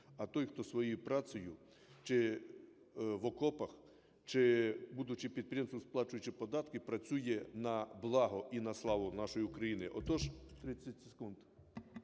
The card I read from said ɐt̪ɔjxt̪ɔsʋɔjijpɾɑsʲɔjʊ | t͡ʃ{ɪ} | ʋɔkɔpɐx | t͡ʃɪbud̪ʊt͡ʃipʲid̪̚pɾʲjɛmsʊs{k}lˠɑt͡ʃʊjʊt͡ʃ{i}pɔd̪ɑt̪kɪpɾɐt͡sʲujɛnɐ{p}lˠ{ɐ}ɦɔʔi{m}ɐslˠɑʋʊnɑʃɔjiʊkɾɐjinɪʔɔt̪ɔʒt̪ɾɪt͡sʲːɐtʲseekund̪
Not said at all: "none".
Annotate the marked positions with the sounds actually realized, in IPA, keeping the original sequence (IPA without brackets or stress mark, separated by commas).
ɪ, p, ɪ, b, ɑ, n